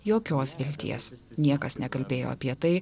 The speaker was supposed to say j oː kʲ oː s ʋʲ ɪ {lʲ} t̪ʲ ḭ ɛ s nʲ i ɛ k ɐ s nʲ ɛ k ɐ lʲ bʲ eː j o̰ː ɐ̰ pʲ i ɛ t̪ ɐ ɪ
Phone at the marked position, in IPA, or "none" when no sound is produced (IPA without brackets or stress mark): lʲ